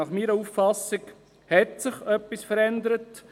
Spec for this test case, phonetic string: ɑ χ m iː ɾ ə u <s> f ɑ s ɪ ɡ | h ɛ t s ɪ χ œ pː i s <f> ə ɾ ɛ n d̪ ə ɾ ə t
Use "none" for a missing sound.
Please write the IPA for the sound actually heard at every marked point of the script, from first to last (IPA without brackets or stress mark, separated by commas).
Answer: f, f